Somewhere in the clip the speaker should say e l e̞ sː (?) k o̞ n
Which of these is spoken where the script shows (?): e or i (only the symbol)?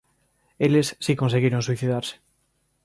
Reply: i